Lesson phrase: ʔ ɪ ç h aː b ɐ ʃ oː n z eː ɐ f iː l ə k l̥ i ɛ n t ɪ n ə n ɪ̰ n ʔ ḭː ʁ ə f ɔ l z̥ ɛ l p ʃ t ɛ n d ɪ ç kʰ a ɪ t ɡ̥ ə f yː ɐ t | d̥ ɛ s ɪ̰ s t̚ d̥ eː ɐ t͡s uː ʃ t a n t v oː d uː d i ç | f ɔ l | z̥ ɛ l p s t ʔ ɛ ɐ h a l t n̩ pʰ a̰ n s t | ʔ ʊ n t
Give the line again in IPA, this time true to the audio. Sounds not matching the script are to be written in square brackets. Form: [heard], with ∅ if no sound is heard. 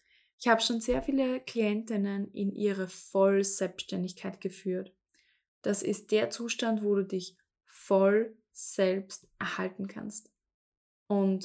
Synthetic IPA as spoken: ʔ ɪ ç h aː b [ə] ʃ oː n z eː ɐ f iː l ə k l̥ i ɛ n t ɪ n ə n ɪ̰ n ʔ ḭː ʁ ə f ɔ l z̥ ɛ l p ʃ t ɛ n d ɪ ç kʰ a ɪ t ɡ̥ ə f yː ɐ t | d̥ [a] s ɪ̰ s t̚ d̥ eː ɐ t͡s uː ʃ t a n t v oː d uː d [ɪ] ç | f ɔ l | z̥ ɛ l p s t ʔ ɛ ɐ h a l t n̩ [kʰ] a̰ n s t | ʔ ʊ n t